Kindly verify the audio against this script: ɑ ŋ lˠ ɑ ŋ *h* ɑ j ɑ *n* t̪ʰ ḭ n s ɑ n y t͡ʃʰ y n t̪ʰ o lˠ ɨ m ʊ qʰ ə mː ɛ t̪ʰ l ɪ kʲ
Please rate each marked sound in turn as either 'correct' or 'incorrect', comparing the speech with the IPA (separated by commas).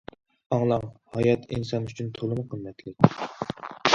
correct, incorrect